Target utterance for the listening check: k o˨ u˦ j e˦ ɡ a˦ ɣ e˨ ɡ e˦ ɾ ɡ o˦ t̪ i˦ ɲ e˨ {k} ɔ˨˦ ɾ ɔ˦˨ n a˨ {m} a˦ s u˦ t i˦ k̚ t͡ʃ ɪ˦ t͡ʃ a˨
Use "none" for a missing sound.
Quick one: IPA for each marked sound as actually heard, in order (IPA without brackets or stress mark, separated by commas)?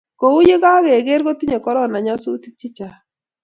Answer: k, ɲ